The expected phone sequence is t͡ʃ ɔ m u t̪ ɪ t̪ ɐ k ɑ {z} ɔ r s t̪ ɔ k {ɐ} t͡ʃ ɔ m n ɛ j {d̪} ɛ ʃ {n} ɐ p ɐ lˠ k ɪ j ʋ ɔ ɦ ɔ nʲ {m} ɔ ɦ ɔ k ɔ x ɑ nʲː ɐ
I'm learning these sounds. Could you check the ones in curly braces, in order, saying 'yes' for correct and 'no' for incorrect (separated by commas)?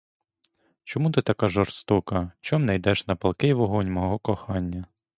no, yes, yes, yes, yes